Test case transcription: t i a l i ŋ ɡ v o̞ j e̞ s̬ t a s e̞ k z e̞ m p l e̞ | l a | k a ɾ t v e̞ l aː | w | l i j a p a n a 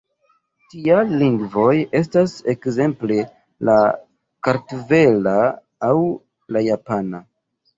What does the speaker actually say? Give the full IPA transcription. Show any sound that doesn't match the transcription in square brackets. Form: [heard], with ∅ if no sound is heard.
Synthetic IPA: t i a l i ŋ ɡ v o̞ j e̞ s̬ t a s e̞ k z e̞ m p l e̞ | l a | k a ɾ t v e̞ l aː | w | l [a] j a p a n a